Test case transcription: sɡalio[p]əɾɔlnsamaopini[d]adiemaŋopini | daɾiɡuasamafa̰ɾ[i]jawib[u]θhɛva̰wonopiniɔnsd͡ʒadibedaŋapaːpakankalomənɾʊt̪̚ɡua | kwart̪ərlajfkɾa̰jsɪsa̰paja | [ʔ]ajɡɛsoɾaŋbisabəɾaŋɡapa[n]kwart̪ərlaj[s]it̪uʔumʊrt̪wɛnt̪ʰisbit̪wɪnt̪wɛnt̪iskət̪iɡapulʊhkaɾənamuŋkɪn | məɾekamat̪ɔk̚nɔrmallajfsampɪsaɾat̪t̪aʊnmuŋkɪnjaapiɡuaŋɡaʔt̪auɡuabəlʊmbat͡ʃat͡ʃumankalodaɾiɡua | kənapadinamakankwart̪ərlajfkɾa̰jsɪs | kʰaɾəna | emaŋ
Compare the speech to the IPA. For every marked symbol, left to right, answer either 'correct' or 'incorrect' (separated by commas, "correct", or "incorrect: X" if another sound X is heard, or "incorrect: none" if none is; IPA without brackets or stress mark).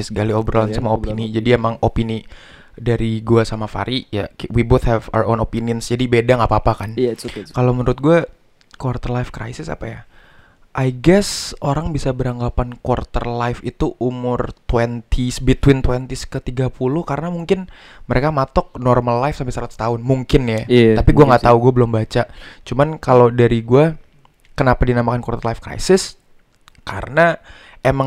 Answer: incorrect: b, incorrect: d͡ʒ, correct, incorrect: o, correct, correct, incorrect: f